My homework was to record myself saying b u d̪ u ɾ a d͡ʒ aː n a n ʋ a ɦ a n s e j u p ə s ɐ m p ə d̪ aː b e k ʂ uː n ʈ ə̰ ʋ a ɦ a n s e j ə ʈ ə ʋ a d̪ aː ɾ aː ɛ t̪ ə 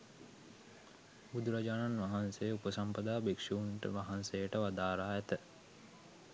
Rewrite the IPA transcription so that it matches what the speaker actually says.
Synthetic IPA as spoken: b u d̪ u ɾ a d͡ʒ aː n a n ʋ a ɦ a n s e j u p ə s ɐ m p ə d̪ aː b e k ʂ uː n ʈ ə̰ ʋ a ɦ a n s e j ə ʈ ə ʋ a d̪ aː ɾ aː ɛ t̪ ə